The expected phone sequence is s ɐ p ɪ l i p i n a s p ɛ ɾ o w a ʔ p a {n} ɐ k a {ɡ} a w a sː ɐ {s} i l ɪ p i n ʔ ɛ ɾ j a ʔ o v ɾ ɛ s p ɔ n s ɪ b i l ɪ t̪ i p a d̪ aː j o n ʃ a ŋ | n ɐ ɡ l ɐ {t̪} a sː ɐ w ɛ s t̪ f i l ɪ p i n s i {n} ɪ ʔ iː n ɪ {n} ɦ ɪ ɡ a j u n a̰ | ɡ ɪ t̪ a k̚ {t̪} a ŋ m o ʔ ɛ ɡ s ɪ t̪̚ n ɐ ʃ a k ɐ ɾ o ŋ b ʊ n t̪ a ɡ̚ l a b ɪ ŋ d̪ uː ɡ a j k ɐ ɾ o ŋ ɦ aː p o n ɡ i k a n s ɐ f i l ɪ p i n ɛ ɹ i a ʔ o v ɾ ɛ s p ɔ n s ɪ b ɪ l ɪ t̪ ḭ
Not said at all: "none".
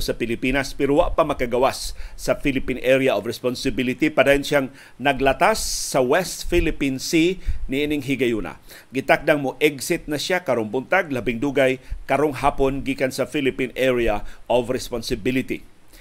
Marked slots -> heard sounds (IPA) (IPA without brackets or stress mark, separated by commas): m, ɡ, f, t̪, n, ŋ, d̪